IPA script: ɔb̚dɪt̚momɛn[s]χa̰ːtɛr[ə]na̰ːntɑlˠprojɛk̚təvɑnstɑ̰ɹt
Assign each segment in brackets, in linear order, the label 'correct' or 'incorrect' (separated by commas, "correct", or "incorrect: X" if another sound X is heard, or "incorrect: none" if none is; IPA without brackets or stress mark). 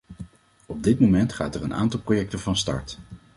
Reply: incorrect: t, correct